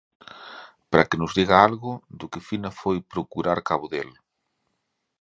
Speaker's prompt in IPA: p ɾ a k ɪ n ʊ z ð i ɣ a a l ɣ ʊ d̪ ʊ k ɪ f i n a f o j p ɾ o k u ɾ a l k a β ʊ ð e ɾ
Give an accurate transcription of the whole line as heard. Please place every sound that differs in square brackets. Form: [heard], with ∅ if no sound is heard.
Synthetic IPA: p ɾ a k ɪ n ʊ z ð i ɣ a a l ɣ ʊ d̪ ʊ k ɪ f i n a f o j p ɾ o k u ɾ a [ɾ] k a β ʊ ð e [l]